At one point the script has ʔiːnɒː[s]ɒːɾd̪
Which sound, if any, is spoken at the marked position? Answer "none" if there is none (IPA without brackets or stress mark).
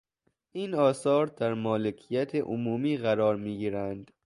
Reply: s